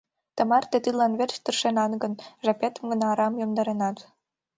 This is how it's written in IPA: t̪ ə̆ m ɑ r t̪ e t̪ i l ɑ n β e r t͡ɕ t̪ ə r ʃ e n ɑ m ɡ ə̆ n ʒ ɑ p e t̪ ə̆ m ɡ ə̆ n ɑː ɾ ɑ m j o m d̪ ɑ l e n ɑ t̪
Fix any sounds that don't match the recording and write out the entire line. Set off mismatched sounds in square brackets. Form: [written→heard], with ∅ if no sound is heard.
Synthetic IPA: t̪ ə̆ m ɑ r t̪ e t̪ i l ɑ n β e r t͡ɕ t̪ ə r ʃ e n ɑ [m→n] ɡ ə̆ n ʒ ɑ p e t̪ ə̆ m ɡ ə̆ n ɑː ɾ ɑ m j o m d̪ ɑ [l→ɾ] e n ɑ t̪